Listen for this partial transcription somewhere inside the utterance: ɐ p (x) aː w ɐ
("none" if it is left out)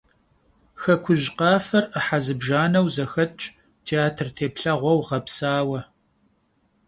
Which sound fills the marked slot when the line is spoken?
s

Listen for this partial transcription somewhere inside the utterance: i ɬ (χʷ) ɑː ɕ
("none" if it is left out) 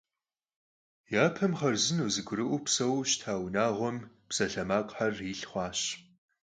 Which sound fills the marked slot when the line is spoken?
χʷ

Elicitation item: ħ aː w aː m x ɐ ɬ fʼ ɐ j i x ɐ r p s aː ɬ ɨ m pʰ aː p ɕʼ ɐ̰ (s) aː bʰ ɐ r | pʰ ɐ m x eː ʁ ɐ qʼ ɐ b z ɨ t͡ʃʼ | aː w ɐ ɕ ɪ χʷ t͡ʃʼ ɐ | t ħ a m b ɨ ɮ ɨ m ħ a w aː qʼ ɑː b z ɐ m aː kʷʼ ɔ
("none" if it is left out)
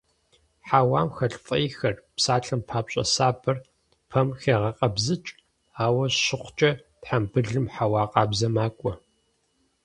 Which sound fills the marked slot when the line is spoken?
s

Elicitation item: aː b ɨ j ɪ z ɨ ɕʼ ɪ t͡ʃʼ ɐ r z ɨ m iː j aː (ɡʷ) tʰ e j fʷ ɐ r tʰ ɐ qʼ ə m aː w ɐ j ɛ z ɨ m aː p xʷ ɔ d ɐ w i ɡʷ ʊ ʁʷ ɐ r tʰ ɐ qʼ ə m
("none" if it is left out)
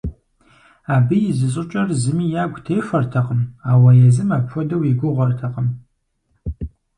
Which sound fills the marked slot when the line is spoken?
ɡʷ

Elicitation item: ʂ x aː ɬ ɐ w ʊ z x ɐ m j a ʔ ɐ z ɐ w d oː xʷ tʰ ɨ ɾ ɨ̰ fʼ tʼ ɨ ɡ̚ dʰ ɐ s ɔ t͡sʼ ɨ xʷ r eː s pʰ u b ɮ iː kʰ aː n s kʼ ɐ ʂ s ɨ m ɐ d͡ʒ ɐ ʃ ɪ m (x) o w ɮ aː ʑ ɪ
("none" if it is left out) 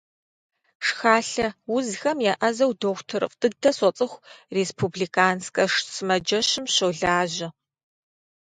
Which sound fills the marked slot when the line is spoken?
ɕ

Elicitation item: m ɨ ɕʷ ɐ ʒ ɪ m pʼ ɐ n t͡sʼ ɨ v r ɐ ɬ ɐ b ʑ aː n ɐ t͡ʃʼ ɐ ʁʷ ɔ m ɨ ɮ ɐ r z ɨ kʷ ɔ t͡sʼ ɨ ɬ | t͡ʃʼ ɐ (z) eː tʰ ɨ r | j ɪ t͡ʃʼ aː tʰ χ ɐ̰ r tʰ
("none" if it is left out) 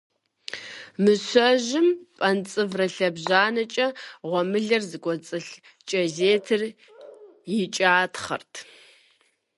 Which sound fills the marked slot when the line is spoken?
z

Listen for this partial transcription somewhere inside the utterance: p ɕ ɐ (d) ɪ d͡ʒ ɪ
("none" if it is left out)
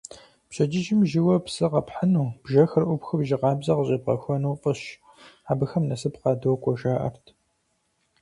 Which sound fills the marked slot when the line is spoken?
d͡ʒ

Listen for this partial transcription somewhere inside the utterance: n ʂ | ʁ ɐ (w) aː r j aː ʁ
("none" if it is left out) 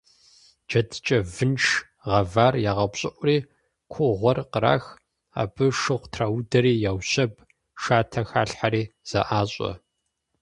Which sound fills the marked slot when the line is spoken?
v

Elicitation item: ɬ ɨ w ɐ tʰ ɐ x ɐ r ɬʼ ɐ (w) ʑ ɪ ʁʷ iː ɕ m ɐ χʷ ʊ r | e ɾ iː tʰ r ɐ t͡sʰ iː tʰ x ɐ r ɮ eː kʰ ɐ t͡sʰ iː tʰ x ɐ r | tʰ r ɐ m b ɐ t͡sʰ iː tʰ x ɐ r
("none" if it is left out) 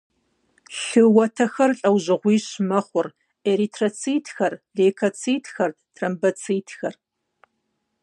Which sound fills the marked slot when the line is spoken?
w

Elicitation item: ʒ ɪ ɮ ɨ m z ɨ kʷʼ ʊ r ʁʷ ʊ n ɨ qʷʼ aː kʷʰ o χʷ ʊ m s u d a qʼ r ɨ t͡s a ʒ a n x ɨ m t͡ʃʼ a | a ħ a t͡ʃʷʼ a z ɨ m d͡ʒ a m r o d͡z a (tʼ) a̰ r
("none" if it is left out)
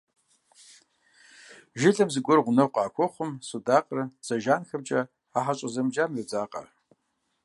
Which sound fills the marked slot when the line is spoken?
qʼ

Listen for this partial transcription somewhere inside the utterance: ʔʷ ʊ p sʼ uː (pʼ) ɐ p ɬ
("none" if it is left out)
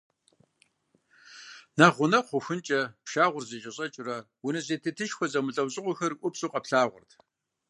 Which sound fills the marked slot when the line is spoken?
qʼ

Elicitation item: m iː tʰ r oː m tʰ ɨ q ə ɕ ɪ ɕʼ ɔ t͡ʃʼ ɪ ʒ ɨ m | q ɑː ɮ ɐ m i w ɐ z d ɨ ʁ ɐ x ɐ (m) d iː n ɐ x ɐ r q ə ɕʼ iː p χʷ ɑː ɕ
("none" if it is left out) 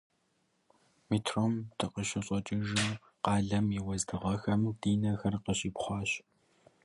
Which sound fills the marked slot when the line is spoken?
m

